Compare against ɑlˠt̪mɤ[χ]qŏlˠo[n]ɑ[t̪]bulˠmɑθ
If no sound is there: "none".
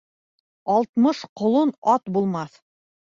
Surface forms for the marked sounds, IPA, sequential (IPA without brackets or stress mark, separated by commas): ʃ, n, t̪